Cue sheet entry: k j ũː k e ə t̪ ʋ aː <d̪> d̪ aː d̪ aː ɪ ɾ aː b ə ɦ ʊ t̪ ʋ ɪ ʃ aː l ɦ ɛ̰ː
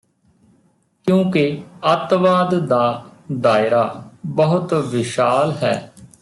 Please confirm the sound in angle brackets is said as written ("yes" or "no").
yes